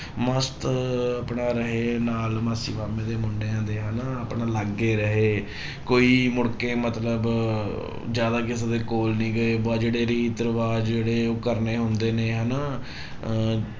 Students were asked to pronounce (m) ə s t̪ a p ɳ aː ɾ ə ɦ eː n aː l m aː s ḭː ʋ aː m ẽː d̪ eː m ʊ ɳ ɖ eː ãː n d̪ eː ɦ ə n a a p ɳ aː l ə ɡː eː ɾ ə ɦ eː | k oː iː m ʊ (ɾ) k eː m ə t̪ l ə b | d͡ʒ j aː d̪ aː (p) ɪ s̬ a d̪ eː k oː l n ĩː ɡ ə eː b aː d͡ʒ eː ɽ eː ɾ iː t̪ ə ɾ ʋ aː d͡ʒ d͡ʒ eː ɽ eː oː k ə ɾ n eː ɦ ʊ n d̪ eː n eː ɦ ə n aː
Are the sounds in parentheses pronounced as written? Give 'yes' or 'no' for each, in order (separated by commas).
yes, no, no